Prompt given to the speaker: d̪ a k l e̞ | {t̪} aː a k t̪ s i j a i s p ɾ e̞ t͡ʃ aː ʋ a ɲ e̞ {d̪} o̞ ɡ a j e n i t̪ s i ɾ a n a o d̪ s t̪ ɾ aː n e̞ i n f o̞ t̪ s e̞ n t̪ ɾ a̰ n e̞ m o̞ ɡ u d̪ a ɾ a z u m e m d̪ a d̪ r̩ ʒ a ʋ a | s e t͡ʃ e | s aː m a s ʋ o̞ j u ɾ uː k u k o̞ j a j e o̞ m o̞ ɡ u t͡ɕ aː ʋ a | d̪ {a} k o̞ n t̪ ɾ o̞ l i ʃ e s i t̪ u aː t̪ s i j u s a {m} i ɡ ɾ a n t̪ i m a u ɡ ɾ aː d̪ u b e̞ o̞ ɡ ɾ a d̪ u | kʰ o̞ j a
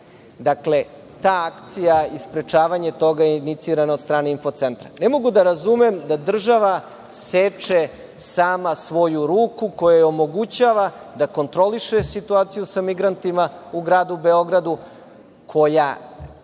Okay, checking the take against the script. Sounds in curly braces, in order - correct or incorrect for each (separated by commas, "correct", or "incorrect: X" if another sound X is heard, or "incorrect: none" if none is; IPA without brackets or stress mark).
correct, incorrect: t̪, correct, correct